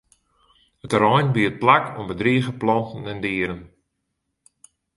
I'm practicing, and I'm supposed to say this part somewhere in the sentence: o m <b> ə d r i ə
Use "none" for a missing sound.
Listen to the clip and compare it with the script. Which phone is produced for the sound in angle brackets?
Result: b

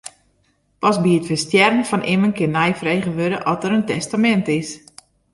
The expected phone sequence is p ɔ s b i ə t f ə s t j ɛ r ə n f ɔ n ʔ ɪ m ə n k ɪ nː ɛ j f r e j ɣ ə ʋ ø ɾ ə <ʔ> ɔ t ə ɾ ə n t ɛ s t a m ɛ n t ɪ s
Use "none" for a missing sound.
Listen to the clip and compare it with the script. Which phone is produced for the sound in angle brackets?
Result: ʔ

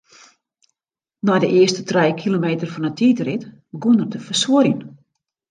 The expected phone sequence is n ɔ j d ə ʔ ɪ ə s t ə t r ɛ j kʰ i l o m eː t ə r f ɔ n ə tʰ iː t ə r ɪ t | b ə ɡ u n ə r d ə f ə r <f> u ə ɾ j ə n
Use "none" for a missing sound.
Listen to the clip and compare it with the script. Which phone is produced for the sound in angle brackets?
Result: s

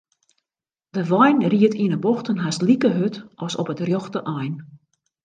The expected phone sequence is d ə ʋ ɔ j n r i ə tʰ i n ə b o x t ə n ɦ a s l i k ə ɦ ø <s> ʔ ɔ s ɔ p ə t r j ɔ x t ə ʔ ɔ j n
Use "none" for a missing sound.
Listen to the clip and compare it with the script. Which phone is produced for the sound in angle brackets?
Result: t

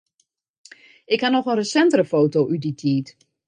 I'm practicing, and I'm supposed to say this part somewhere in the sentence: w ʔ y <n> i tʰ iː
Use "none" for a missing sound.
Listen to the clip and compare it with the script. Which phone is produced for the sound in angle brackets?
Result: d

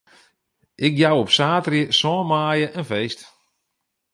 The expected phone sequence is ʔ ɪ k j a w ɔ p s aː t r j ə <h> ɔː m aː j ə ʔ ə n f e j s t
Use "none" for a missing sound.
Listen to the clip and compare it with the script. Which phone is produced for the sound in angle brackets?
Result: s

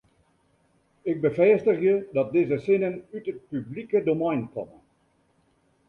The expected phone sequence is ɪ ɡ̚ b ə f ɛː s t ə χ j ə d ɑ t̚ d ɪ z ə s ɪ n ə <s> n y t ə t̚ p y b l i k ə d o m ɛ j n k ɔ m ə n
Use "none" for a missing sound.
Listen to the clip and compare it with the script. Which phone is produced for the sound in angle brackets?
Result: none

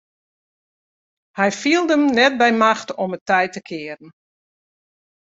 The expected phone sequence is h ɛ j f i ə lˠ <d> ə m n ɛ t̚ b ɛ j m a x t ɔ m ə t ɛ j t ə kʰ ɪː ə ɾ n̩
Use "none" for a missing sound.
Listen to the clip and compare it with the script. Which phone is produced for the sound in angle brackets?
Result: d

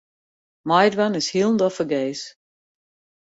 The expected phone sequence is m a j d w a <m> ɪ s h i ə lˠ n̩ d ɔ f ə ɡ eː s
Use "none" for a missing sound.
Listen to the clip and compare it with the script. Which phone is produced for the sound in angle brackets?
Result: n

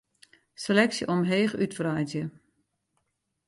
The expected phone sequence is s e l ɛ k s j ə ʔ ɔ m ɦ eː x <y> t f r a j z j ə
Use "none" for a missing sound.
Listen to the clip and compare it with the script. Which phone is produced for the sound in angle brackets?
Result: y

